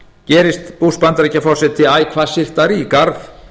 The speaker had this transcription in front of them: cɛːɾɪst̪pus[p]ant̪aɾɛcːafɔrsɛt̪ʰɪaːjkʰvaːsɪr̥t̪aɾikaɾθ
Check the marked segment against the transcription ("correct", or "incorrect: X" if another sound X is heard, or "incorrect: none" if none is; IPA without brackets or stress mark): correct